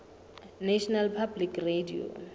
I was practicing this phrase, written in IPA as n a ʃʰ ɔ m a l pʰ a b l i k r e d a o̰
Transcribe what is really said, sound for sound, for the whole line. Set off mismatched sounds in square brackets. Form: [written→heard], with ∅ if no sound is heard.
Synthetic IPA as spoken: n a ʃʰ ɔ [m→n] a l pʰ a b l i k r e d [a→i] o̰